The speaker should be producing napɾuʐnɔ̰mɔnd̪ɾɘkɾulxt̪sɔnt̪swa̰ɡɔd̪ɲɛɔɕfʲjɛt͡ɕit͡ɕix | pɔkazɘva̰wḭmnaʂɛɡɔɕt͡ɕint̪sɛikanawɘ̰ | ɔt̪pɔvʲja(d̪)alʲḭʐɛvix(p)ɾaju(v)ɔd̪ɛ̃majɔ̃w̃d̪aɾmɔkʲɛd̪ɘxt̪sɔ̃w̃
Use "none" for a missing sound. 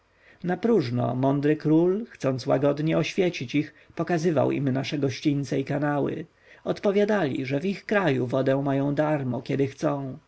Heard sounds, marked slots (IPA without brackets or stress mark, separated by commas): d̪, k, v